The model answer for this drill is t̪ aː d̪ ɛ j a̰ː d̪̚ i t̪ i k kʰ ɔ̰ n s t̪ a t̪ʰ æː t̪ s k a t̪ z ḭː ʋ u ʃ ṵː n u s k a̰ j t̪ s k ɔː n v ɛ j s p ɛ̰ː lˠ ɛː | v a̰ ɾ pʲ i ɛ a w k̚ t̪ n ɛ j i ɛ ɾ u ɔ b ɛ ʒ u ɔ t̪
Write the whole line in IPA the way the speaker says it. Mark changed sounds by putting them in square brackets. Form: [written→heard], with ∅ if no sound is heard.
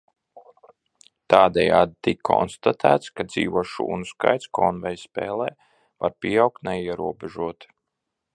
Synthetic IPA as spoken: t̪ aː d̪ ɛ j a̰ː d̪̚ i t̪ i k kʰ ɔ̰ n s t̪ a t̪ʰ æː t̪ s k a [t̪→d̪] z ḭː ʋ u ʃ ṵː n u s k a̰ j t̪ s k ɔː n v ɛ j s p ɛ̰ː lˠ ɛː | v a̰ ɾ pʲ i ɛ a w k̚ t̪ n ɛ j i ɛ ɾ u ɔ b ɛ ʒ u ɔ t̪